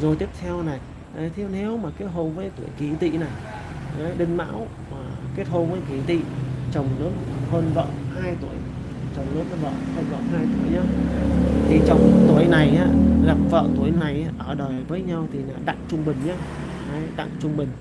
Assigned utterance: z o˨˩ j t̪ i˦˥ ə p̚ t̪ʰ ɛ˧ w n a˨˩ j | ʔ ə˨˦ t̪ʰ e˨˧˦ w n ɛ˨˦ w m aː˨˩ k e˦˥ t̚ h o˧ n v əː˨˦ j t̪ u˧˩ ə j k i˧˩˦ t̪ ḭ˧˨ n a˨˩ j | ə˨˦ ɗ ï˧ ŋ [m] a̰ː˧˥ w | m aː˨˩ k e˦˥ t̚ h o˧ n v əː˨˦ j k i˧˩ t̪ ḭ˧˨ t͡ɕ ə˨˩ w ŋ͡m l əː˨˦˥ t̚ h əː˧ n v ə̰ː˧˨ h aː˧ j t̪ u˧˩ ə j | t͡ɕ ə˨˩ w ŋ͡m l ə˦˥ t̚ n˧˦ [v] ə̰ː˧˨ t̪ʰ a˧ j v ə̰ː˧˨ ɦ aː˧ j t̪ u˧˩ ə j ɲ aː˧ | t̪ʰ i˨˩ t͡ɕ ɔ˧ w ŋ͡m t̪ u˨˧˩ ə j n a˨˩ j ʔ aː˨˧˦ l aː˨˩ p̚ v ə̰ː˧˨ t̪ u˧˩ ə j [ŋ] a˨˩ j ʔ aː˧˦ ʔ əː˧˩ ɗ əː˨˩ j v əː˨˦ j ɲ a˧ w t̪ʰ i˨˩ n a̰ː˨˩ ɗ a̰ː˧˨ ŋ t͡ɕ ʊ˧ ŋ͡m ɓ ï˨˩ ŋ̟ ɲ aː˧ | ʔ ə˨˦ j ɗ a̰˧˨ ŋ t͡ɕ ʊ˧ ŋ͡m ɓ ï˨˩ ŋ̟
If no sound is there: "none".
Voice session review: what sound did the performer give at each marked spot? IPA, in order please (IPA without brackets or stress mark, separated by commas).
m, v, n